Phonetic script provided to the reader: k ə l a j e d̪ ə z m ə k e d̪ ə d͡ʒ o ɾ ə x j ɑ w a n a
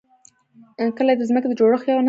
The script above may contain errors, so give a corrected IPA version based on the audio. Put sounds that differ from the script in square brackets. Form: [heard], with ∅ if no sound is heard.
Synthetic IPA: k ə l a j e d̪ ə z m ə k e d̪ ə d͡ʒ o [ɽ] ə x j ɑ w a n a